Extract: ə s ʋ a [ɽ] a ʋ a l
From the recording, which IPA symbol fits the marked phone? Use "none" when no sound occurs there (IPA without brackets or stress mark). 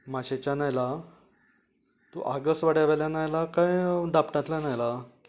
ɽ